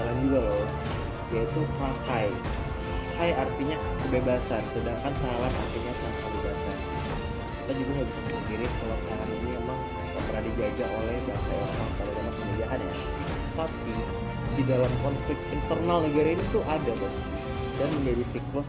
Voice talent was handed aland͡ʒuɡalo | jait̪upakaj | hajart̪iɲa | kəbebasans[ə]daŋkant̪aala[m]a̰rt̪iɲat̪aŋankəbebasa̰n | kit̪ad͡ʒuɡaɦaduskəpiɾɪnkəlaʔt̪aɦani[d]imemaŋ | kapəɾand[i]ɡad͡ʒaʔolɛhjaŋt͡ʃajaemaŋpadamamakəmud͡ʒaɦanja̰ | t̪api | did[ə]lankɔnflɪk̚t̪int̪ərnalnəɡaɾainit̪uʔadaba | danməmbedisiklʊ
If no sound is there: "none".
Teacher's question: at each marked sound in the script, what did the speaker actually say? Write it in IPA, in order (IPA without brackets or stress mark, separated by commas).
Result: ə, n, n, i, a